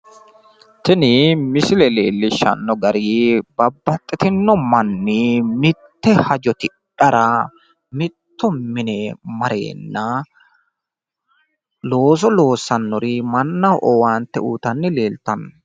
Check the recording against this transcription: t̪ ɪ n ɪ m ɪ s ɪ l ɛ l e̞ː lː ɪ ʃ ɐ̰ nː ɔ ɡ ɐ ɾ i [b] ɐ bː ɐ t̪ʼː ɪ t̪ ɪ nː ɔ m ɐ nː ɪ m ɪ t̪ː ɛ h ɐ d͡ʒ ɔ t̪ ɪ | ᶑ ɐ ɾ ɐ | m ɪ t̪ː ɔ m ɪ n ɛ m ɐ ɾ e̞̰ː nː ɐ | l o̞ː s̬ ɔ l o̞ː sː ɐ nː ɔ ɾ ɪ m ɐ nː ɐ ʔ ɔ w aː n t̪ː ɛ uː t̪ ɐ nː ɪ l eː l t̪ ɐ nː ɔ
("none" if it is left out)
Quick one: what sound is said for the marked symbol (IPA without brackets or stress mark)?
b